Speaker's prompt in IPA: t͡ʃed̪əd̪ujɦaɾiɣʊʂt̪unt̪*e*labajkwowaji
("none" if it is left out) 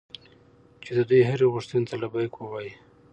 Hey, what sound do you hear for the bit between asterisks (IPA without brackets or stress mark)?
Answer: a